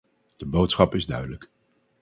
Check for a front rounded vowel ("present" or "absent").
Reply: present